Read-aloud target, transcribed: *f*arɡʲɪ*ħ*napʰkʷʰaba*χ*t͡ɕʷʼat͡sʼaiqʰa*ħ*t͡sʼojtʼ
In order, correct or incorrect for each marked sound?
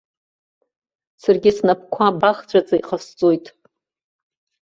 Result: incorrect: s, incorrect: s, correct, incorrect: s

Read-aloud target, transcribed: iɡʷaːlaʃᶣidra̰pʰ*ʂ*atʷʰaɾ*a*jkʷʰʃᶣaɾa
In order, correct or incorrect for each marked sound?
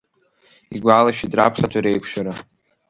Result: incorrect: χ, incorrect: e

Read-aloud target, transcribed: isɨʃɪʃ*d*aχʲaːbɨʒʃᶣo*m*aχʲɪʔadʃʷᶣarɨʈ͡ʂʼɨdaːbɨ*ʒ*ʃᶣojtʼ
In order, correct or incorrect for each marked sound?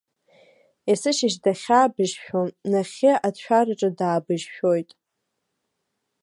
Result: correct, incorrect: n, correct

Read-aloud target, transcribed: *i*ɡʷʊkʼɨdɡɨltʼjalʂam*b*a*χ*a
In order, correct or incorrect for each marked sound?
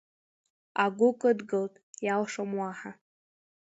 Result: incorrect: a, incorrect: w, incorrect: ħ

